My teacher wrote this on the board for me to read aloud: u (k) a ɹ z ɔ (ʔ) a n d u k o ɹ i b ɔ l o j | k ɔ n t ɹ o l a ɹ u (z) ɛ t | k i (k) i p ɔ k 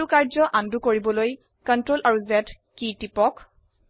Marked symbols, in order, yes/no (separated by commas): yes, yes, yes, no